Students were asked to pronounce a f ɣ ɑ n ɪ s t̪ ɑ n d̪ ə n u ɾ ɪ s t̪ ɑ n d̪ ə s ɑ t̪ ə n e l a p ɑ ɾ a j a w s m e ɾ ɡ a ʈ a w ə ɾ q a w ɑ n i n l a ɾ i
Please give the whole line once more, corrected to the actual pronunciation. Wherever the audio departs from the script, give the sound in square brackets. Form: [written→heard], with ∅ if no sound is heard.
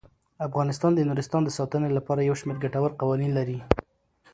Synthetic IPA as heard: a f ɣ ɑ n ɪ s t̪ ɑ n d̪ ə n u ɾ ɪ s t̪ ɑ n d̪ ə s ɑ t̪ ə n e l a p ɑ ɾ a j a w [s→ʃ] m e ɾ ɡ a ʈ a w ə ɾ q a w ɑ n i n l a ɾ i

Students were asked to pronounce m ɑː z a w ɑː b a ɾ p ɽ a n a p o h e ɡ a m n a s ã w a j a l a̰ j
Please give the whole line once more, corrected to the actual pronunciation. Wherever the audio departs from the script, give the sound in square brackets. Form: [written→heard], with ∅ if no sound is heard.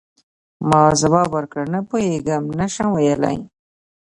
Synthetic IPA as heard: m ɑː z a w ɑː b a ɾ [p→k] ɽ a n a p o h e ɡ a m n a [s→ʃ] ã w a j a l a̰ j

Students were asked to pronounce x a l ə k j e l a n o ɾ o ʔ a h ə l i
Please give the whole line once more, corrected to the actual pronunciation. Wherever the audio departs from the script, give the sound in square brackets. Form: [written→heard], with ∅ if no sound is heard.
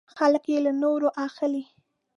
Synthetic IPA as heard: x a l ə k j e l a n o ɾ o ʔ a [h→x] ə l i

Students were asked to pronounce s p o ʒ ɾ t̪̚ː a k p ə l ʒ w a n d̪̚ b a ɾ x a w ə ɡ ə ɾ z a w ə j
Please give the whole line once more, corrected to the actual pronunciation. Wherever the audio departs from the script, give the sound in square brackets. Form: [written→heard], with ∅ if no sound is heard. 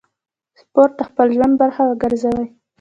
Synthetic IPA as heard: s p o [ʒ→∅] ɾ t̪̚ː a [k→x] p ə l ʒ w a n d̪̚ b a ɾ x a w ə ɡ ə ɾ z a w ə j

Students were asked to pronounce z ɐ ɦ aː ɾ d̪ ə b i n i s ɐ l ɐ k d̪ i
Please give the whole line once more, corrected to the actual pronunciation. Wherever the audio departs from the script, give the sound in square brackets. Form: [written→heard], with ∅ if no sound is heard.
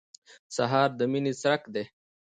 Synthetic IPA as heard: [z→s] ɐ ɦ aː ɾ d̪ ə [b→m] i n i s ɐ [l→ɾ] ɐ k d̪ [i→e]

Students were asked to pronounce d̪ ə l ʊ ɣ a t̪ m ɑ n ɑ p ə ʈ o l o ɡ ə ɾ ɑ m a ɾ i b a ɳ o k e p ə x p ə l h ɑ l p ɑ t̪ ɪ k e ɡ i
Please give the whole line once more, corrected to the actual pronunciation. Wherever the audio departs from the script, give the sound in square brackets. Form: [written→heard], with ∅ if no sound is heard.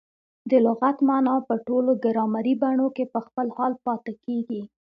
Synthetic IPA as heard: d̪ ə l ʊ ɣ a t̪ m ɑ n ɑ p ə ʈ o l o ɡ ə ɾ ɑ m a ɾ i b a ɳ o k e p ə x p ə l h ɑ l p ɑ t̪ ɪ k e ɡ i

